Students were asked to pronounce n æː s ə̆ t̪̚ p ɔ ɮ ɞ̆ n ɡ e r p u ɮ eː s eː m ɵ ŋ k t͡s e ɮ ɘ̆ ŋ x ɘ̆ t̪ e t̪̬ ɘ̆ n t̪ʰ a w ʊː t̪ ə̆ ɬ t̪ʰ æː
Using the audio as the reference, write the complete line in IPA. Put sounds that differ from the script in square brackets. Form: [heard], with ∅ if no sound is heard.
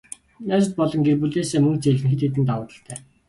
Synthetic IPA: n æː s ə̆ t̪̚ p ɔ ɮ ɞ̆ [ŋ] ɡ e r p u ɮ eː s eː m ɵ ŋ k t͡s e ɮ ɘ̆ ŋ x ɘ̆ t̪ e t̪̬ ɘ̆ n [t̪] a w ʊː t̪ ə̆ ɬ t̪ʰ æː